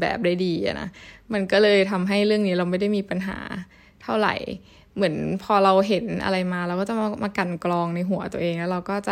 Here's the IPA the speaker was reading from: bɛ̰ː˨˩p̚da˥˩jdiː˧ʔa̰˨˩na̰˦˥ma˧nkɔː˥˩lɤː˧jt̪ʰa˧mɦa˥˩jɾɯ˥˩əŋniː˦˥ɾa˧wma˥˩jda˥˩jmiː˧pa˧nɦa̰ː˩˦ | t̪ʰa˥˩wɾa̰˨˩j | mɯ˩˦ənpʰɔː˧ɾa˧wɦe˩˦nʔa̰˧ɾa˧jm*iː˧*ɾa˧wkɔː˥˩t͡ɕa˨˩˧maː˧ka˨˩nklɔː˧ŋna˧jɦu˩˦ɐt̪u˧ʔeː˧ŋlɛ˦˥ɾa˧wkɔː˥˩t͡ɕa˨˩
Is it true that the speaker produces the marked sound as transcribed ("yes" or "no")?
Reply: no